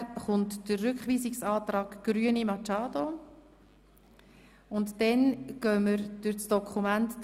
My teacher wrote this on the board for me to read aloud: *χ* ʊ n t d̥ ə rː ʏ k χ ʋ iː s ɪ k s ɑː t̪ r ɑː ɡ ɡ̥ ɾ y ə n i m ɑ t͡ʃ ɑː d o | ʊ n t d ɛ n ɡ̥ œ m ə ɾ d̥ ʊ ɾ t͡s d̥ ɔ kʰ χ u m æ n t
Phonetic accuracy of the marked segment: correct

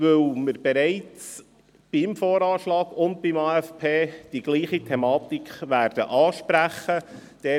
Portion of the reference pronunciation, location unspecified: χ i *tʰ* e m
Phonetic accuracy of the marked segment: correct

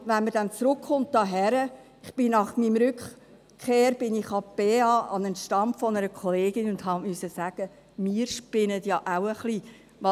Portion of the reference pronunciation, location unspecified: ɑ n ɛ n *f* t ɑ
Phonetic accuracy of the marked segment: incorrect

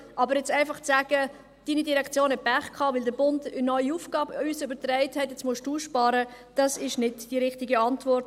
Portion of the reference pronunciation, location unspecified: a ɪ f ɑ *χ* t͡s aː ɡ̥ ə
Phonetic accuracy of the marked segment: correct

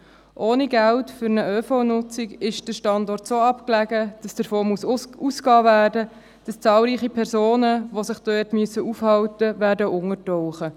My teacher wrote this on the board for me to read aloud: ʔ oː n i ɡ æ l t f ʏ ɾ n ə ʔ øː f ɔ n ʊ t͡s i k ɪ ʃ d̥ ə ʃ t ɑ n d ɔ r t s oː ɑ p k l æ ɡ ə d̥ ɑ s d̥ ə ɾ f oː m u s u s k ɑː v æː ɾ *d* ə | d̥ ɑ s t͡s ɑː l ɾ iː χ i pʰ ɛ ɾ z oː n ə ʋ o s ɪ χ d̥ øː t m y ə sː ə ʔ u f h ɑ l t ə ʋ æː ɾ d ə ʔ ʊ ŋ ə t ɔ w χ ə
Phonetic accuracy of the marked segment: correct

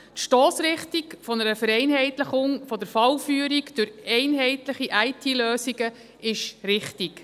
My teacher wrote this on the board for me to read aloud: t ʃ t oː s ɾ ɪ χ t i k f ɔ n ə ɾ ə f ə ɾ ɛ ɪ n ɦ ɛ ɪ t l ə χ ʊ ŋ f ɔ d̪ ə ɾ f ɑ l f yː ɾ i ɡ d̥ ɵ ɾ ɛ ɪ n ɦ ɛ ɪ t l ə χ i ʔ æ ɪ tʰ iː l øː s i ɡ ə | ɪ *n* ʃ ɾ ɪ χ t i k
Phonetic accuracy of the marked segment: incorrect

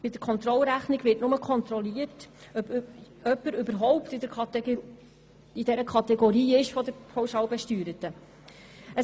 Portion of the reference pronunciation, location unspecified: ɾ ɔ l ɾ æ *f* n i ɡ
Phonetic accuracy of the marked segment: incorrect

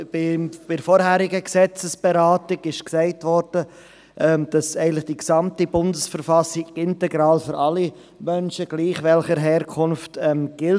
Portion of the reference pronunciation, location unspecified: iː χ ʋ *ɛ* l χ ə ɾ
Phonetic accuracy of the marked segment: correct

